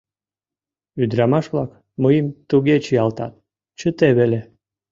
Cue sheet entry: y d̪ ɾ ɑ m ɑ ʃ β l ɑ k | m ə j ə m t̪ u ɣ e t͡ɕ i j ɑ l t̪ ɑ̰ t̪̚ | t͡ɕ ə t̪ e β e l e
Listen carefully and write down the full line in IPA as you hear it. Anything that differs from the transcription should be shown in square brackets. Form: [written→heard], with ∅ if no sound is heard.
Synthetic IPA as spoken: y d̪ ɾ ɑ m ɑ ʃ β l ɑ k | m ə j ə m t̪ u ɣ e t͡ɕ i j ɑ l t̪ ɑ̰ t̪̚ | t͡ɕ ə t̪ e β e l e